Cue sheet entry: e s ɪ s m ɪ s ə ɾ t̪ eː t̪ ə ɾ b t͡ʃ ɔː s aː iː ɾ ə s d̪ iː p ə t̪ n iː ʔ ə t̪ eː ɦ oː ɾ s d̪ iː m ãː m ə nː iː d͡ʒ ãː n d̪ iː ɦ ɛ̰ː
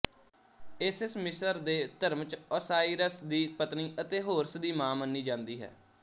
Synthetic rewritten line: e s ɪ s m ɪ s ə ɾ d̪ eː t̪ ə ɾ m t͡ʃ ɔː s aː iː ɾ ə s d̪ iː p ə t̪ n iː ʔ ə t̪ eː ɦ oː ɾ s d̪ iː m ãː m ə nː iː d͡ʒ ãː n d̪ iː ɦ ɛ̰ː